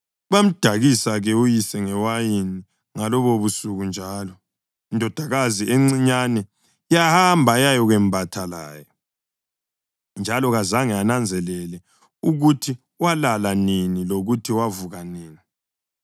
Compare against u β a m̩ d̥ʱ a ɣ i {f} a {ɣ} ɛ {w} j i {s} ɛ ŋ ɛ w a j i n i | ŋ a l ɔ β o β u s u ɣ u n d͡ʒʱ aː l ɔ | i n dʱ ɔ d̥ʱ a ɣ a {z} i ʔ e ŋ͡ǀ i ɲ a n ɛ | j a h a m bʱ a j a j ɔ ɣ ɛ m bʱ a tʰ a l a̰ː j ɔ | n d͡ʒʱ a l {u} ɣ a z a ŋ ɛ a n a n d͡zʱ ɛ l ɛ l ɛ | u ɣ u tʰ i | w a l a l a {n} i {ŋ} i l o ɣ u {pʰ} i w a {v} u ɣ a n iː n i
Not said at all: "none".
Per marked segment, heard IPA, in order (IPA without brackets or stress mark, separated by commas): s, ɣ, u, s, z, ɔ, n, n, tʰ, v